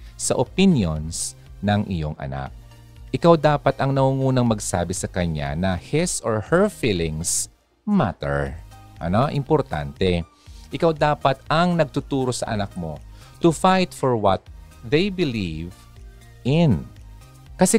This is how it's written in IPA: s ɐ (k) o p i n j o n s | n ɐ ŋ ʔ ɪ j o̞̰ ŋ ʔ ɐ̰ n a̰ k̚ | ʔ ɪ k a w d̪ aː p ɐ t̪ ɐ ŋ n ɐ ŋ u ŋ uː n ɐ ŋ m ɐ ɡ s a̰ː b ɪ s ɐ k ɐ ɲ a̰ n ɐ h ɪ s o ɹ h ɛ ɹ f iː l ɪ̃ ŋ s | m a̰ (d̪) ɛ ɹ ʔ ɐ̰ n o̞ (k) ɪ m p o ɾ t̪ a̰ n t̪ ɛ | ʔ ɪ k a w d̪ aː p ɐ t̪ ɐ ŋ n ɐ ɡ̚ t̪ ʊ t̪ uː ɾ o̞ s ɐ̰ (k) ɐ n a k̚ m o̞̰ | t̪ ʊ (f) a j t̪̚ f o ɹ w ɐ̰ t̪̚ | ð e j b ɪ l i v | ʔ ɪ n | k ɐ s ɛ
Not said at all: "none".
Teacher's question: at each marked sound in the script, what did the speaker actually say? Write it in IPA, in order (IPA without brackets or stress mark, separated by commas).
ʔ, t̪, ʔ, ʔ, f